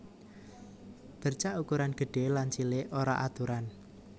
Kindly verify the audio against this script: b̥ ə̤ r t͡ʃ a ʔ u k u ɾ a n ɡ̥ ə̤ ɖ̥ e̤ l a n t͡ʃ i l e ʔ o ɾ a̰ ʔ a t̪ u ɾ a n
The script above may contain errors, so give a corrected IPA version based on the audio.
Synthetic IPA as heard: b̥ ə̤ r t͡ʃ a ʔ u k u ɾ a n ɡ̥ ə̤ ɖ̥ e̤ l a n t͡ʃ i l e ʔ o ɾ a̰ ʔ a t̪ u ɾ a n